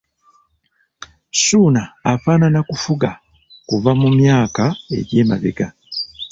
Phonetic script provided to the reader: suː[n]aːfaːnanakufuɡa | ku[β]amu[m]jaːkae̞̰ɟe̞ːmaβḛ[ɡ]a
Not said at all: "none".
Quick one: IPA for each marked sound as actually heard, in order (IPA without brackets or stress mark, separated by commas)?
n, v, m, ɡ